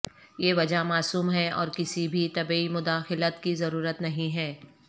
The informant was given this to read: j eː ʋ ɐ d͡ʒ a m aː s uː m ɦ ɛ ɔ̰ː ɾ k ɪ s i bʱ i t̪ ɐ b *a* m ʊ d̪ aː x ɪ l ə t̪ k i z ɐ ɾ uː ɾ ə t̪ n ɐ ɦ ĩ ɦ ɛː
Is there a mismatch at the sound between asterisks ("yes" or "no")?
yes